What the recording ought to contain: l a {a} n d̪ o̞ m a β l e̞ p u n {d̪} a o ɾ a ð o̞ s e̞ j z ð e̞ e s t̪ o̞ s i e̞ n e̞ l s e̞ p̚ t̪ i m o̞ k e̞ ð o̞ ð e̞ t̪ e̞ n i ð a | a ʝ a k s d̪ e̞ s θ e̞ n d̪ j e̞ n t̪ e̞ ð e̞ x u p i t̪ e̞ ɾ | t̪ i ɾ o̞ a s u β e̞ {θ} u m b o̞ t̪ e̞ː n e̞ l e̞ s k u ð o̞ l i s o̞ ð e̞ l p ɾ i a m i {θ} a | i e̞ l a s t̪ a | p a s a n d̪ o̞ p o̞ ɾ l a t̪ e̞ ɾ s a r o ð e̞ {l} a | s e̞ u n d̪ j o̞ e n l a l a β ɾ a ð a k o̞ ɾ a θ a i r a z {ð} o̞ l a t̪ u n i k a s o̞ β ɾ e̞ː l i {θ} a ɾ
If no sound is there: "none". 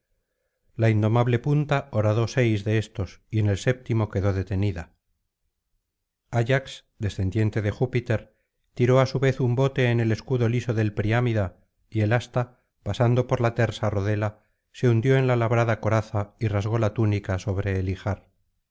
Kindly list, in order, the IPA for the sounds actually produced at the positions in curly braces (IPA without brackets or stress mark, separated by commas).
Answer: i, t̪, θ, ð, l, ɣ, x